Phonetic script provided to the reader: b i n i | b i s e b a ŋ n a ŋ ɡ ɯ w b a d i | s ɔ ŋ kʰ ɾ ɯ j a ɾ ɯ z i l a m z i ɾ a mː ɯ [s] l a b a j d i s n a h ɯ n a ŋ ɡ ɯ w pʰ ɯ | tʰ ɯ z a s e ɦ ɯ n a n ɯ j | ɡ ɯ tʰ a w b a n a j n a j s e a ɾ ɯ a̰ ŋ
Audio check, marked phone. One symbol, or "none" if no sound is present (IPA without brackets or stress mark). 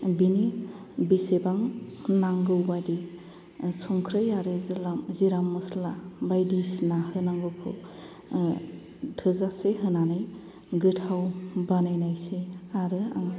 s